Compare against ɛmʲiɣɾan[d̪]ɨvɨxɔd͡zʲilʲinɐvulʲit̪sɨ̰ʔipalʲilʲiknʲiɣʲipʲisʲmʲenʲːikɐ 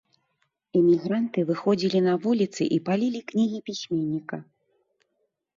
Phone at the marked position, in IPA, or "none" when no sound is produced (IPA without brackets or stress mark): t̪